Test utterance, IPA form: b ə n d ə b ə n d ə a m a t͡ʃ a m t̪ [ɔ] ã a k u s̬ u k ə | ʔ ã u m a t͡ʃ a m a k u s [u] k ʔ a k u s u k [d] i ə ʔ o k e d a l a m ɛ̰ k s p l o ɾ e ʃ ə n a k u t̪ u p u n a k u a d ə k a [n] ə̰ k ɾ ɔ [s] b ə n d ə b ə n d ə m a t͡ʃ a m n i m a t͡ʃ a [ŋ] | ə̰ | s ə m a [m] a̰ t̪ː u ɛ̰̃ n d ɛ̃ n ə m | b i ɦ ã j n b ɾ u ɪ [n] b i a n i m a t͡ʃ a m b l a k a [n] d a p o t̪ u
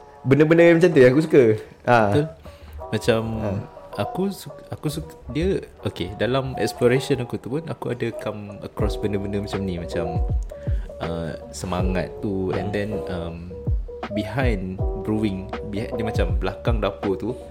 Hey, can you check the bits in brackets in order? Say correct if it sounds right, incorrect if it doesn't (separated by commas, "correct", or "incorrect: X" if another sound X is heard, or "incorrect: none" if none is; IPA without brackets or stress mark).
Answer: incorrect: u, correct, correct, incorrect: m, correct, incorrect: m, incorrect: ŋ, incorrect: ŋ, incorrect: ŋ